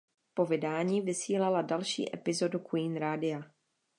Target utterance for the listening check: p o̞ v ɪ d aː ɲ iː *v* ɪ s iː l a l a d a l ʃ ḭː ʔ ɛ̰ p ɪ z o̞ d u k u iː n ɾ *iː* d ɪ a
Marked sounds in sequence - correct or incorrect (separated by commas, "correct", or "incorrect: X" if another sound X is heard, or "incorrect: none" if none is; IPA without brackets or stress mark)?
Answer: correct, incorrect: aː